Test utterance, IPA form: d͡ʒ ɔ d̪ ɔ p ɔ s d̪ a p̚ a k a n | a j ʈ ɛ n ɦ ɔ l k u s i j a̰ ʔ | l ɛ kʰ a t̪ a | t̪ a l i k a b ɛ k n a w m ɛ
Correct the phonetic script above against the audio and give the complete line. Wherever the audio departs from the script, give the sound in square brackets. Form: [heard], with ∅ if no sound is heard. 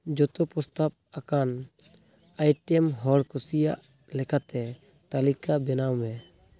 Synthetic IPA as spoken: d͡ʒ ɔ [t̪] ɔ p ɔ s [t̪] a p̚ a k a n | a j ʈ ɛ [m] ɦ ɔ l k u s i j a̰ ʔ | l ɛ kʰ a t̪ [ɛ] | t̪ a l i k a b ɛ [∅] n a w m ɛ

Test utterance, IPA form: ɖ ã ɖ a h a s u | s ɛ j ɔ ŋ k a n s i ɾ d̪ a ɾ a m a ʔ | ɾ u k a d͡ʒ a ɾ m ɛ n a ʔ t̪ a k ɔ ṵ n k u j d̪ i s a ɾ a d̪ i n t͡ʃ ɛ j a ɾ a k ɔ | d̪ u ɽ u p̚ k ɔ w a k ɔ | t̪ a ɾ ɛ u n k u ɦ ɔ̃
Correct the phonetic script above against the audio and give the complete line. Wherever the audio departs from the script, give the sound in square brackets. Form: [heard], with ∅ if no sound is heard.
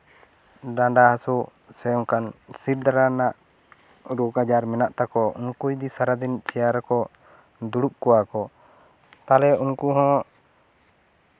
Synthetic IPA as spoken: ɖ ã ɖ a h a s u | s ɛ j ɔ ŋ k a n s i ɾ d̪ a ɾ a [n] a ʔ | ɾ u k a d͡ʒ a ɾ m ɛ n a ʔ t̪ a k ɔ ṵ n k u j d̪ i s a ɾ a d̪ i n t͡ʃ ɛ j a ɾ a k ɔ | d̪ u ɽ u p̚ k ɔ w a k ɔ | t̪ a [l] ɛ u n k u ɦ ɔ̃

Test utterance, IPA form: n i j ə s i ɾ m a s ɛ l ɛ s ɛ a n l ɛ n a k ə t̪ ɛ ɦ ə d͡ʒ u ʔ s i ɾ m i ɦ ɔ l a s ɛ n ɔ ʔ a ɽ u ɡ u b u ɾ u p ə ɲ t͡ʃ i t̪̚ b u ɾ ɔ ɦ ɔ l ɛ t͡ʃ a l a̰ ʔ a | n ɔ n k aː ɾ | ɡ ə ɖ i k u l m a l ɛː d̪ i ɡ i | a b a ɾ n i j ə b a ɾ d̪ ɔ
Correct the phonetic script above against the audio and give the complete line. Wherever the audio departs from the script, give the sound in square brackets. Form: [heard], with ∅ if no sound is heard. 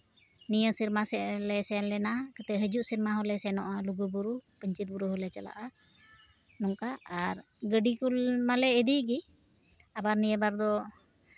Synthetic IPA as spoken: n i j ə s i ɾ m a s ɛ l ɛ s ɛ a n l ɛ n a k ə t̪ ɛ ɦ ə d͡ʒ u ʔ s i ɾ m [a] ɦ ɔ l [ɛ] s ɛ n ɔ ʔ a [l] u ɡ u b u ɾ u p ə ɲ t͡ʃ i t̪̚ b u ɾ [u] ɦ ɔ l ɛ t͡ʃ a l a̰ ʔ a | n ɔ [ŋ] k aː ɾ | ɡ ə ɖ i k u l m a l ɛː d̪ i ɡ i | a b a ɾ n i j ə b a ɾ d̪ ɔ

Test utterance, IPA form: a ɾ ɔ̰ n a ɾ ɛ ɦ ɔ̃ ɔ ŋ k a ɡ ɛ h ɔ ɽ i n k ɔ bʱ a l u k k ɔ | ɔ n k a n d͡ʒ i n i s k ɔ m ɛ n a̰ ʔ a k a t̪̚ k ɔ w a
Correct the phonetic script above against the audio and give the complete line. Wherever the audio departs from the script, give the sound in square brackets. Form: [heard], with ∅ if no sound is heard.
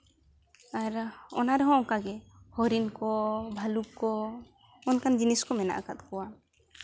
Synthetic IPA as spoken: a ɾ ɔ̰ n a ɾ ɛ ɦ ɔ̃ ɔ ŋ k a ɡ ɛ h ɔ [ɾ] i n k ɔ bʱ a l u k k ɔ | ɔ n k a n d͡ʒ i n i s k ɔ m ɛ n a̰ ʔ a k a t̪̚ k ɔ w a

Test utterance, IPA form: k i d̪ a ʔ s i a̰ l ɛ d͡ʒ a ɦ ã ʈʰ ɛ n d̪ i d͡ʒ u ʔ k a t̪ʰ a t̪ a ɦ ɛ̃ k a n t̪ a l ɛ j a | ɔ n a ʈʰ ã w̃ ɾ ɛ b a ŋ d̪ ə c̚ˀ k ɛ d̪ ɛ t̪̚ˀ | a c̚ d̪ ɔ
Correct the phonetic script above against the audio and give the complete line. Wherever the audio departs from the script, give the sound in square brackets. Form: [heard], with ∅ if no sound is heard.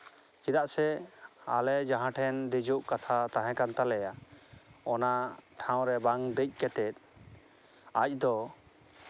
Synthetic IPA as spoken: k i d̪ a ʔ s [ɛ] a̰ l ɛ d͡ʒ a ɦ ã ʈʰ ɛ n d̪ i d͡ʒ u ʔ k a t̪ʰ a t̪ a ɦ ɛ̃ k a n t̪ a l ɛ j a | ɔ n a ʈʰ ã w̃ ɾ ɛ b a ŋ d̪ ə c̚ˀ k ɛ [t̪] ɛ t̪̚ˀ | a c̚ d̪ ɔ

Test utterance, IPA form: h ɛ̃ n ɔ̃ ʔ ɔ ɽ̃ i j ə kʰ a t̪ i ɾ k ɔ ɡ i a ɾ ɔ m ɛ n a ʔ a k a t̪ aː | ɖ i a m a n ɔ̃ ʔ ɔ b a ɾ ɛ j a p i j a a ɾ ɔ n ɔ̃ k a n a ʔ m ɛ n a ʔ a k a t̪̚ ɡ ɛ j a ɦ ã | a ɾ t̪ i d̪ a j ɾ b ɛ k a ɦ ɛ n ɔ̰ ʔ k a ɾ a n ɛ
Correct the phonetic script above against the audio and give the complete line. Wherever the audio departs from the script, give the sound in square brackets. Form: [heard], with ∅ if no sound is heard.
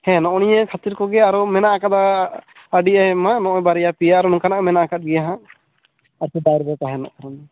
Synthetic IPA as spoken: h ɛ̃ n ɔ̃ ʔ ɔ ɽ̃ i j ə kʰ a t̪ i ɾ k ɔ ɡ [ɛ] a ɾ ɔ m ɛ n a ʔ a k a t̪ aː | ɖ i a m a n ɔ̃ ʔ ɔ b a ɾ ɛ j a p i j a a ɾ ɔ n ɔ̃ k a n a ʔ m ɛ n a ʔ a k a t̪̚ ɡ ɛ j a ɦ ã | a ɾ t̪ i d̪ a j ɾ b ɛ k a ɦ ɛ n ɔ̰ ʔ k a ɾ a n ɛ

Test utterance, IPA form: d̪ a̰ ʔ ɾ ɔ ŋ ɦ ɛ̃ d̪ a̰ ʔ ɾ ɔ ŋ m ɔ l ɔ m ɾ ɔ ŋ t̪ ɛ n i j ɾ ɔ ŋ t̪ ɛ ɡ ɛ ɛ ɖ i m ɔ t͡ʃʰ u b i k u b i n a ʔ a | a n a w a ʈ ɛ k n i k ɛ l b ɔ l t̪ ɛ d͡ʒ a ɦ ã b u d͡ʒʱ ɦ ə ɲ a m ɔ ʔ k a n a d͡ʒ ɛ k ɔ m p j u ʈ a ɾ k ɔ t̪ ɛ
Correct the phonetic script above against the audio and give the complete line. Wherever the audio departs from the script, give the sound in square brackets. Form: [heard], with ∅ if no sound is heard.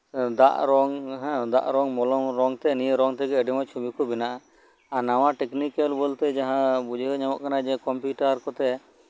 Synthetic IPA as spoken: d̪ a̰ ʔ ɾ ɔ ŋ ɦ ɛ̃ d̪ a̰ ʔ ɾ ɔ ŋ m ɔ l ɔ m ɾ ɔ ŋ t̪ ɛ n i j ɾ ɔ ŋ t̪ ɛ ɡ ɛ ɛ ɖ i m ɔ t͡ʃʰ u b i k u b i n a ʔ a | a n a w a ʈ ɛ k n i k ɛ l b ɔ l t̪ ɛ d͡ʒ a ɦ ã b u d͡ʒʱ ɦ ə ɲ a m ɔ ʔ k a n a d͡ʒ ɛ k ɔ m p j u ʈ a ɾ k ɔ t̪ ɛ

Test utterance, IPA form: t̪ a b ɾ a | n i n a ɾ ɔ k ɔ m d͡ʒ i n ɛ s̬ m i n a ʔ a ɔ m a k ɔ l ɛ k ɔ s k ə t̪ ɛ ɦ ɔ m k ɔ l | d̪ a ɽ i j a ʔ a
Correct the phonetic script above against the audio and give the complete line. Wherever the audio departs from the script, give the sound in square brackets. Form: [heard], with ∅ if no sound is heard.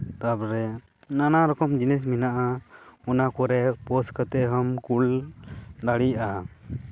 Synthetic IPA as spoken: t̪ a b ɾ [ɛ] | n [a] n a ɾ ɔ k ɔ m d͡ʒ i n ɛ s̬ m i n a ʔ a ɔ [n] a k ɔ [ɾ] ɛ [p] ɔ s k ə t̪ ɛ ɦ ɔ m k [u] l | d̪ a ɽ i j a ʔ a

